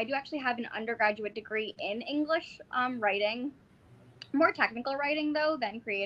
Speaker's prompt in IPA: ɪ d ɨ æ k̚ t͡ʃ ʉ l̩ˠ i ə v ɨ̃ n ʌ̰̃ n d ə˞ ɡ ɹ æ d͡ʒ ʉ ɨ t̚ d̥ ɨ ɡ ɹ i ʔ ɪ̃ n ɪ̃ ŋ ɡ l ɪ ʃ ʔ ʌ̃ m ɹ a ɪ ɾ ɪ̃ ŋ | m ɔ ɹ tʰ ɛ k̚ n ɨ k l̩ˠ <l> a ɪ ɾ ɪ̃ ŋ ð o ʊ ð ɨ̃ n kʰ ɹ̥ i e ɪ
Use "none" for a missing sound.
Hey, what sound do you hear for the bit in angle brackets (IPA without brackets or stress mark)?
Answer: ɹ